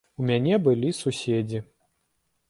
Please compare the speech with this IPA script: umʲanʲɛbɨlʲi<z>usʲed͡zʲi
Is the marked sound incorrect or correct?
incorrect